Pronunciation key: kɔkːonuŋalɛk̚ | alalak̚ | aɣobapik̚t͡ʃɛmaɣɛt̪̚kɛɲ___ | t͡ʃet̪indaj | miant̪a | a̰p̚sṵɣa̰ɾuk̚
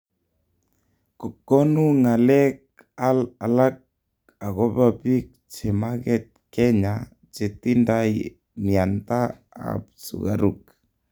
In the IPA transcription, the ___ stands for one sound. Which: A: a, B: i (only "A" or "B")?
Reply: A